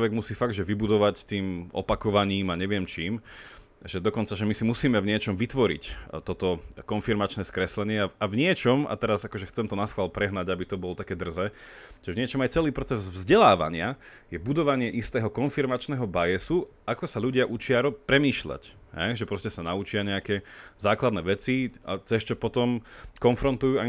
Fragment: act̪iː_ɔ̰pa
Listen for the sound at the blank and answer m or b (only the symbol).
m